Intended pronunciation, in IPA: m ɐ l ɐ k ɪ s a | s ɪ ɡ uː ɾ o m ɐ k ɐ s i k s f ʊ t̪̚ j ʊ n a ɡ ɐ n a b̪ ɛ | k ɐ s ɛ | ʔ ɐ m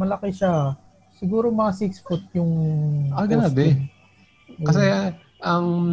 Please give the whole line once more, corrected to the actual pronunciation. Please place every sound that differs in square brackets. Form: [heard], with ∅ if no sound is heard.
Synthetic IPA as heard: m ɐ l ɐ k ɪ [ʃ] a | s ɪ ɡ uː ɾ o m ɐ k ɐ s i k s f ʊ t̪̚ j ʊ [ŋ] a ɡ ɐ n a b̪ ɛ | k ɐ s ɛ | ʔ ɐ [ŋ]